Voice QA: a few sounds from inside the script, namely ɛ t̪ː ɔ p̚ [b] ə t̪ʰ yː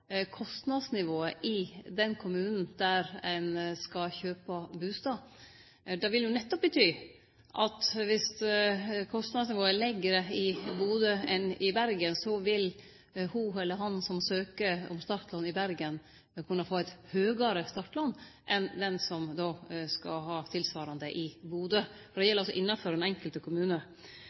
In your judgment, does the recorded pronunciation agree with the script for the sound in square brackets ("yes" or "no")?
yes